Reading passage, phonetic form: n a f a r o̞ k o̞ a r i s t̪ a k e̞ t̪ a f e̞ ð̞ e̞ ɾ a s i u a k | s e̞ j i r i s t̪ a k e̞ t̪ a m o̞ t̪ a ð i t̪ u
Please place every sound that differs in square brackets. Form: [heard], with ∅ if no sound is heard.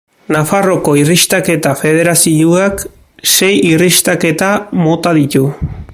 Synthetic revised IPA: n a f a r o̞ k o̞ [i] r i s t̪ a k e̞ t̪ a f e̞ ð̞ e̞ ɾ a s i u a k | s e̞ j i r i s t̪ a k e̞ t̪ a m o̞ t̪ a ð i t̪ u